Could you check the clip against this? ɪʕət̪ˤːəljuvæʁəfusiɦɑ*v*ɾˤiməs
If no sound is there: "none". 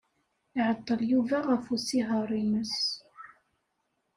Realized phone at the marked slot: none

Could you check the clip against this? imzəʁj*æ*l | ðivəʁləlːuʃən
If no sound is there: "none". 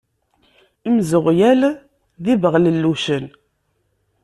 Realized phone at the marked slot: æ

